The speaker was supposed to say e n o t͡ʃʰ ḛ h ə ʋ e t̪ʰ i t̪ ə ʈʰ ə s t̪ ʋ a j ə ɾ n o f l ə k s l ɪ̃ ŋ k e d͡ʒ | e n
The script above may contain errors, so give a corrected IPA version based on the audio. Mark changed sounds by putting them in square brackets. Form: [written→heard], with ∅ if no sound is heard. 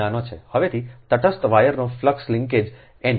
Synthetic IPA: [e→a] n o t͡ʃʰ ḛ h ə ʋ e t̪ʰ i t̪ ə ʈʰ ə s t̪ ʋ a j ə ɾ n o f l ə k s l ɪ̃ ŋ k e d͡ʒ | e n